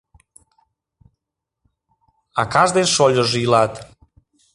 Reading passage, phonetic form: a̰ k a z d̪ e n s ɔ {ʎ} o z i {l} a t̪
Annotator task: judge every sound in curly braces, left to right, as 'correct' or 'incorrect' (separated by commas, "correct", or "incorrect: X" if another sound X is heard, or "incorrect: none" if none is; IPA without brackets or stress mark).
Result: correct, correct